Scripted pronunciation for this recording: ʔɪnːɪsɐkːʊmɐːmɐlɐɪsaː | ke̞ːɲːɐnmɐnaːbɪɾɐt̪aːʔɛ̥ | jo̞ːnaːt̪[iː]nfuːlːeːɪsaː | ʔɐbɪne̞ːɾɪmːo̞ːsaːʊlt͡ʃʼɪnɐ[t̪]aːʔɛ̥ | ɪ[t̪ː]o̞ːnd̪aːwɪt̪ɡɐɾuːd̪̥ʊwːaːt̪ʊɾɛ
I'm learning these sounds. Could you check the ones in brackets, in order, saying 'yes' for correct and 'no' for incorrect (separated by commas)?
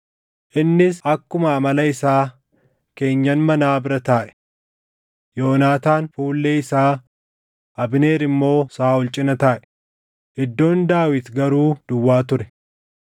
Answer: no, yes, no